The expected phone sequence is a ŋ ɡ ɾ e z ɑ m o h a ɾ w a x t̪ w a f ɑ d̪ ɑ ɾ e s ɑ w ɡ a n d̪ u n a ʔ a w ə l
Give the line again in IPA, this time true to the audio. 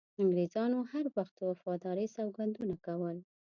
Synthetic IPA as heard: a ŋ ɡ ɾ e z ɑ n o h a ɾ w a x t̪ w a f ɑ d̪ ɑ ɾ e s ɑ w ɡ a n d̪ u n a k a w ə l